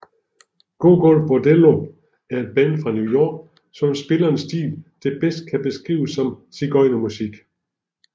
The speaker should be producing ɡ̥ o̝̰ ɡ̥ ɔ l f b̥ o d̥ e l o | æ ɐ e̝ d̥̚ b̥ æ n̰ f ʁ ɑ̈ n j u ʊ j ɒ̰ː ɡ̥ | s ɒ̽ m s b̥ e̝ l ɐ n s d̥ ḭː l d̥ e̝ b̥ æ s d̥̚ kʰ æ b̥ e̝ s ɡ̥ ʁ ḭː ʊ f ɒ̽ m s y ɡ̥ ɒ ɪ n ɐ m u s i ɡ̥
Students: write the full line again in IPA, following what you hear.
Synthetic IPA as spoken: ɡ̥ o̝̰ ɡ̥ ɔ l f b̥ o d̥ e l o | æ ɐ e̝ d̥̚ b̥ æ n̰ f ʁ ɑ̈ n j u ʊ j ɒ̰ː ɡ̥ | s ɒ̽ m s b̥ e̝ l ɐ n s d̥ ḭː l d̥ e̝ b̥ e s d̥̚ kʰ æ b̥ e̝ s ɡ̥ ʁ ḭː ʊ s ɒ̽ m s i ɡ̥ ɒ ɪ n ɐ m u s i ɡ̥